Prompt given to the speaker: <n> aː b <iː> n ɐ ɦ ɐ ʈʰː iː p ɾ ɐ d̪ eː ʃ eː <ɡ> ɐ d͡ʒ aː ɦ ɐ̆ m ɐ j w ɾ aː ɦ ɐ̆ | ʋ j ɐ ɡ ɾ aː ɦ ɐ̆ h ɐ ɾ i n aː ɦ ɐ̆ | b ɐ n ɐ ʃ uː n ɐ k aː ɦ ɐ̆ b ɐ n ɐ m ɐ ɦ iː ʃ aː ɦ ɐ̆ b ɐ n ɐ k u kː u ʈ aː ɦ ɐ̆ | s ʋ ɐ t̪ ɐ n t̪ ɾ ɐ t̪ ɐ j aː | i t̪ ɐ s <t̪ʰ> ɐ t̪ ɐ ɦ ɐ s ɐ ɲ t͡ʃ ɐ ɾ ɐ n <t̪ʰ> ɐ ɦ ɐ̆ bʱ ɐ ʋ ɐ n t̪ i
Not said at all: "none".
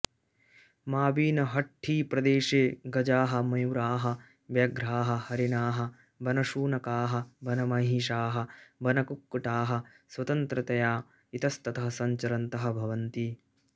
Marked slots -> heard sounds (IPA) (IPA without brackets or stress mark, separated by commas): m, iː, ɡ, t̪, t̪